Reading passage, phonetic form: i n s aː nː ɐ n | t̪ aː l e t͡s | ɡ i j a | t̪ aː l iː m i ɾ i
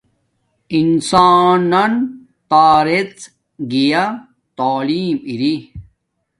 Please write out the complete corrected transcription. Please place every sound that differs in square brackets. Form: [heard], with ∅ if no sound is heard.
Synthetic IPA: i n s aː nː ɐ n | t̪ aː [ɾ] e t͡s | ɡ i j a | t̪ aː l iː m i ɾ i